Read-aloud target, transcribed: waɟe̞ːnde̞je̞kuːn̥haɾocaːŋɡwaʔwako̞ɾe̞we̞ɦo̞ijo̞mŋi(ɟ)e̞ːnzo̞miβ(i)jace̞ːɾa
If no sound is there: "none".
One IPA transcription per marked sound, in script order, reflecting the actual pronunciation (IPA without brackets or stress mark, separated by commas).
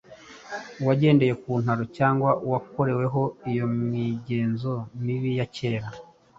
ɟ, i